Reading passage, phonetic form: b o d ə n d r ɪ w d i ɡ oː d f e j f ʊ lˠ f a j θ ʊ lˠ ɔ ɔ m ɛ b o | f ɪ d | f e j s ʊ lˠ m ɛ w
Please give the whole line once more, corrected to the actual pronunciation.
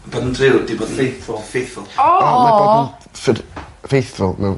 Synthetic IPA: b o d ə n d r ɪ w d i b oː d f e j θ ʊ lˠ f e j θ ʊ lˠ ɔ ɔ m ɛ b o | f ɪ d | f e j θ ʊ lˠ m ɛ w